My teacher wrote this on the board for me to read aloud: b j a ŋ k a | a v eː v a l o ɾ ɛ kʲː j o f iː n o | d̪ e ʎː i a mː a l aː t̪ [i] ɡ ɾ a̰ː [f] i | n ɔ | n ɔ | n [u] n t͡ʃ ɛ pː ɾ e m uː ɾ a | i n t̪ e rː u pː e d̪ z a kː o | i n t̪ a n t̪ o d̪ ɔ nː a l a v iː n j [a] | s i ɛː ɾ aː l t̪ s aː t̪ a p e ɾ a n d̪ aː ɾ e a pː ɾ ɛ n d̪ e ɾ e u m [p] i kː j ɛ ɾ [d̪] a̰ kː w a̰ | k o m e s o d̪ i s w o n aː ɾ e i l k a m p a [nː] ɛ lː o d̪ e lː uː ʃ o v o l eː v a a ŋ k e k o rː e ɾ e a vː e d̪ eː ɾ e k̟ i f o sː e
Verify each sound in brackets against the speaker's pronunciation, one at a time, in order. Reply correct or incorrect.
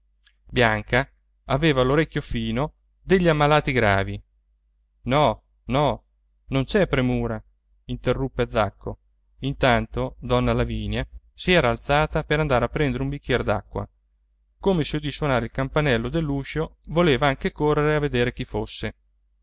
correct, incorrect: v, incorrect: o, correct, incorrect: b, correct, incorrect: n

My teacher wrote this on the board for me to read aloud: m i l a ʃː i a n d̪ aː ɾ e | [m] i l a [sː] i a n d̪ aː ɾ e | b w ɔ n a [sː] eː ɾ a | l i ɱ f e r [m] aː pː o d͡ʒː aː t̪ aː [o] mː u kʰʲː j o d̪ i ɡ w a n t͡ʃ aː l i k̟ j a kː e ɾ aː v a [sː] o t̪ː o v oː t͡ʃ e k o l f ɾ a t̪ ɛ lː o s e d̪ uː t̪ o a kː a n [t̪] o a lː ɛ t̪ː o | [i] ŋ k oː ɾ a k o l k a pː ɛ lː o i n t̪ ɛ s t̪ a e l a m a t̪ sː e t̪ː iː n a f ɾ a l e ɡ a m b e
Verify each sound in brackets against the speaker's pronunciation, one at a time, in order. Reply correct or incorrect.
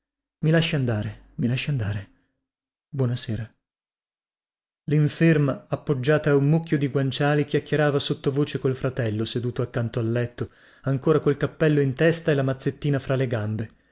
correct, incorrect: ʃː, incorrect: s, correct, incorrect: u, incorrect: s, correct, incorrect: a

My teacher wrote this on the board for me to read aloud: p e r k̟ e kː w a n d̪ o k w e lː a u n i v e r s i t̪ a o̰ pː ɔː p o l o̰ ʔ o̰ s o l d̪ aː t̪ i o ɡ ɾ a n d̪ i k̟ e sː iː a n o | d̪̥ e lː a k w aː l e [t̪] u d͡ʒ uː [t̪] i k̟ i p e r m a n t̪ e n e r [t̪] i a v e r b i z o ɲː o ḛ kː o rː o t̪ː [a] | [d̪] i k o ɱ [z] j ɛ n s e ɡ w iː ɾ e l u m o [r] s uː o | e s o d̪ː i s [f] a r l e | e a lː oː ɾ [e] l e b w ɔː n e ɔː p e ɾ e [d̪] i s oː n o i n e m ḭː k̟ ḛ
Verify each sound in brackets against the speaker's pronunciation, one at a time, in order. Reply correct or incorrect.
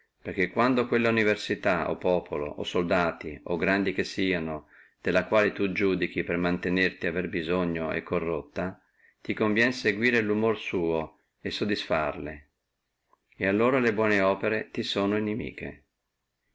correct, incorrect: d̪, correct, correct, incorrect: t̪, incorrect: v, correct, correct, incorrect: a, incorrect: t̪

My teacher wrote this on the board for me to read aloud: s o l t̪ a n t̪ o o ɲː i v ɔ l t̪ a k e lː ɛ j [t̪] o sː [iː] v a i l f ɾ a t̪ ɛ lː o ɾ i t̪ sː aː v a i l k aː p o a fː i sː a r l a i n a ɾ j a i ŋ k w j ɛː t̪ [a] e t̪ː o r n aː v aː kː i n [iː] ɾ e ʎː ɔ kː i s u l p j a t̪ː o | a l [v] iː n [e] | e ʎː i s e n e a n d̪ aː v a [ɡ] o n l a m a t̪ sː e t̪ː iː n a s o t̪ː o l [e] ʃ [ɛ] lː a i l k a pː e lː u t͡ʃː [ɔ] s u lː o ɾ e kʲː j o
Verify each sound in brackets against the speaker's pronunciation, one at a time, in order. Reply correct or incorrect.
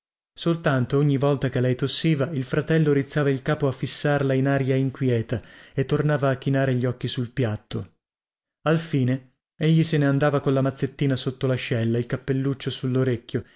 correct, correct, correct, incorrect: aː, incorrect: f, correct, incorrect: k, incorrect: a, correct, incorrect: o

